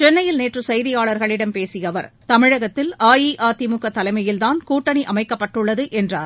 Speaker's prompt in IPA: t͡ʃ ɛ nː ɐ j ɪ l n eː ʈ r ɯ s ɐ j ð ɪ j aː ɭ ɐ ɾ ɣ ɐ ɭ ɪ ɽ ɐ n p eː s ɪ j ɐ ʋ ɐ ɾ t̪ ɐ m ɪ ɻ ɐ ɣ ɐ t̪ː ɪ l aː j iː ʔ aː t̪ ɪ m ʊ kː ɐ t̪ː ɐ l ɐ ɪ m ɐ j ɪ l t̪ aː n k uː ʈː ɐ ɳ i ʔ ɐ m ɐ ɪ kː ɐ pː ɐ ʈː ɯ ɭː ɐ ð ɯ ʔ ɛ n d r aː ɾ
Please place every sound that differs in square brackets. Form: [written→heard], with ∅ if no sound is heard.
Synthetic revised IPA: t͡ʃ ɛ nː ɐ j ɪ l n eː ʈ r ɯ s ɐ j ð ɪ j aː ɭ ɐ ɾ ɣ ɐ ɭ ɪ ɽ ɐ [n→m] p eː s ɪ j ɐ ʋ ɐ ɾ t̪ ɐ m ɪ ɻ ɐ ɣ ɐ t̪ː ɪ l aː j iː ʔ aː t̪ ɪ m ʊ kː ɐ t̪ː ɐ l ɐ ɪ m ɐ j ɪ l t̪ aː n k uː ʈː ɐ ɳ i ʔ ɐ m ɐ ɪ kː ɐ pː ɐ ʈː ɯ ɭː ɐ ð ɯ ʔ ɛ n d r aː ɾ